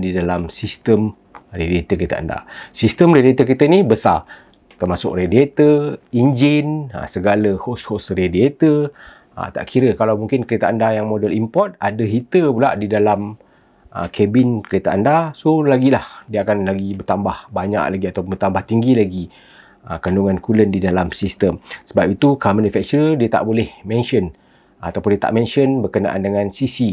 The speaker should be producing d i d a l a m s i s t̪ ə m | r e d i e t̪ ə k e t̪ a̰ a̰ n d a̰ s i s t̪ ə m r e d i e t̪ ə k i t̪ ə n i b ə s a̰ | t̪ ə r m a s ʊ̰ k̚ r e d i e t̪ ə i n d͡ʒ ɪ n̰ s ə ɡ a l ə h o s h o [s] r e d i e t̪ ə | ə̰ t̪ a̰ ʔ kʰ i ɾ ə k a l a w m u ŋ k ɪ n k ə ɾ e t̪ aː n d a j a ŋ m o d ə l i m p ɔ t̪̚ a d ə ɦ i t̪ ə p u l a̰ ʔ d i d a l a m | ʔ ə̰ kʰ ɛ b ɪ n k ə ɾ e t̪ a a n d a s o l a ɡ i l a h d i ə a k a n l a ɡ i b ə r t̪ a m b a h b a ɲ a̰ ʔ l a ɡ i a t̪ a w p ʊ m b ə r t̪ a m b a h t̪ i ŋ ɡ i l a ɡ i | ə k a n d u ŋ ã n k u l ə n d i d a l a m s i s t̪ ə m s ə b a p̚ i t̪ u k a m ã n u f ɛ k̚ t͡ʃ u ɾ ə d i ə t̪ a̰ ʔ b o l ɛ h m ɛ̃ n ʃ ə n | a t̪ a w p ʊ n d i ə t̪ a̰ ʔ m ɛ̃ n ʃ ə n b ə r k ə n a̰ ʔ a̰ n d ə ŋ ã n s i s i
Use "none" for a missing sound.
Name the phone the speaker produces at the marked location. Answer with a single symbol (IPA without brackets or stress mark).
s